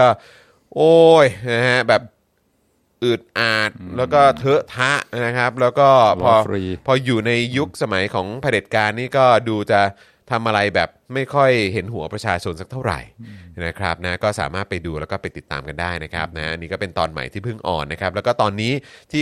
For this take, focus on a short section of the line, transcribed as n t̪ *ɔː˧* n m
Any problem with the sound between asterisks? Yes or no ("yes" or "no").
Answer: no